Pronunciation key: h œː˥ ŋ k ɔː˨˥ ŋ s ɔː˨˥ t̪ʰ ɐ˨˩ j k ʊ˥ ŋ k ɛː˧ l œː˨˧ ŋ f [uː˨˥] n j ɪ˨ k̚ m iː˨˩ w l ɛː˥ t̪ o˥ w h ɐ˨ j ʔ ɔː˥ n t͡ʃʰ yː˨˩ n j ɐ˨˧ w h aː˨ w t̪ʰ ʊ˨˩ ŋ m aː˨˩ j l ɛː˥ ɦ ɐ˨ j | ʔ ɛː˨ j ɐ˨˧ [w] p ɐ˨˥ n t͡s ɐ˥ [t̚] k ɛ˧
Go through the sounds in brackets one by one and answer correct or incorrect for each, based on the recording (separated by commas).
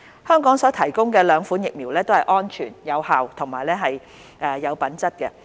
correct, correct, correct